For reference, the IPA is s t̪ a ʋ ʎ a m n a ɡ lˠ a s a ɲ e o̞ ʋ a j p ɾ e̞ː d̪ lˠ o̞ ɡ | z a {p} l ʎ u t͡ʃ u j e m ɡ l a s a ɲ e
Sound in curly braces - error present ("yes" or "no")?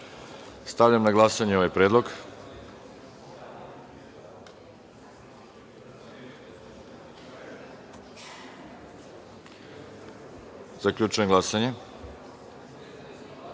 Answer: yes